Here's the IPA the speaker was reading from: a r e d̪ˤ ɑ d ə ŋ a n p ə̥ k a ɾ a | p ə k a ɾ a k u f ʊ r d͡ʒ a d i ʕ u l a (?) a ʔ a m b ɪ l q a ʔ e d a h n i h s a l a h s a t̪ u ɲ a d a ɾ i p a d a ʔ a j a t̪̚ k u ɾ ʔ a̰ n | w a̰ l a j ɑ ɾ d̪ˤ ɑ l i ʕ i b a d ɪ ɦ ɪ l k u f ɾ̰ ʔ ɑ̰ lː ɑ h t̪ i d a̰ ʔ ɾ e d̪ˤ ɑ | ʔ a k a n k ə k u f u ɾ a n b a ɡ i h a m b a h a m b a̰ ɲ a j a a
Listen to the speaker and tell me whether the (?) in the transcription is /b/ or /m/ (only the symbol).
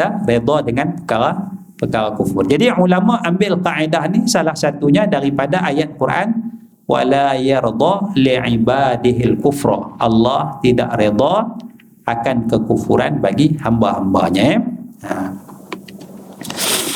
m